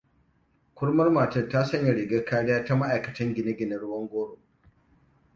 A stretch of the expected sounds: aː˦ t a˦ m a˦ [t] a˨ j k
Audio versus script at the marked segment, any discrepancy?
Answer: yes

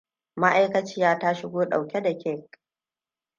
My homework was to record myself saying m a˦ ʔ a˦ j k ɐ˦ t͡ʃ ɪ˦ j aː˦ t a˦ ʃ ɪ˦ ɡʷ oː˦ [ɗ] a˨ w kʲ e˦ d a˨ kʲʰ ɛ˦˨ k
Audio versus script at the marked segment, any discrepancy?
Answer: no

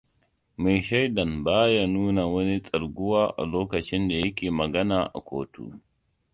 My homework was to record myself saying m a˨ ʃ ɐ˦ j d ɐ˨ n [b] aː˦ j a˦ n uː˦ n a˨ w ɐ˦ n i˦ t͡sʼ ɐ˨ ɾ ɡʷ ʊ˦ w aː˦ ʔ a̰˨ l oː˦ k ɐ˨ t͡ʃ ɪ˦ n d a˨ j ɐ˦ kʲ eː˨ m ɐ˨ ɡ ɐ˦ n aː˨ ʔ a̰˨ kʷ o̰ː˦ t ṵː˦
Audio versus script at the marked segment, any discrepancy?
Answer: no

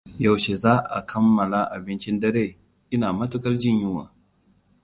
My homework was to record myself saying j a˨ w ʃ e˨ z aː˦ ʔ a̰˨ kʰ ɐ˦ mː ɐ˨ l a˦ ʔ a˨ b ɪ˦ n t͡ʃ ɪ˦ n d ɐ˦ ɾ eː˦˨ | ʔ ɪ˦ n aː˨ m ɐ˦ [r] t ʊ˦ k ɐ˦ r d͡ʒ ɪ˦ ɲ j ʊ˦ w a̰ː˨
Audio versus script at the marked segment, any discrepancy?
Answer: yes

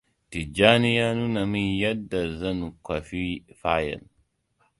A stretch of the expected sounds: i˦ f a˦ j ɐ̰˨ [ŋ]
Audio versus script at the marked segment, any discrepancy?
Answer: yes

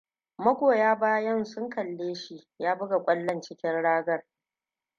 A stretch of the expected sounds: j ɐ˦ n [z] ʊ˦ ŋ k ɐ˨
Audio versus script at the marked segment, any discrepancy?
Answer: yes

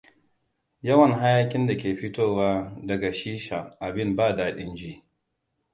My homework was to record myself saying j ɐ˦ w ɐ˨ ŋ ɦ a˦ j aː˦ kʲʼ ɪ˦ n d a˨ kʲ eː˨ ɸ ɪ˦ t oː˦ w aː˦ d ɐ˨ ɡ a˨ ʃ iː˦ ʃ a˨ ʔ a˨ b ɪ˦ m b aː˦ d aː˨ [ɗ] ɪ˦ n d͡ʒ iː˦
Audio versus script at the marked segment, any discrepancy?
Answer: no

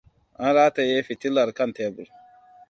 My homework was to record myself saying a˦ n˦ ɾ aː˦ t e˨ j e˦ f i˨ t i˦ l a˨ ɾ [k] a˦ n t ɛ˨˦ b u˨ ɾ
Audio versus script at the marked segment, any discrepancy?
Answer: no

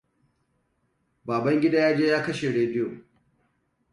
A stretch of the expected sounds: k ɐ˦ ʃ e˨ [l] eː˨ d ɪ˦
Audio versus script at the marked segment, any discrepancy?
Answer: yes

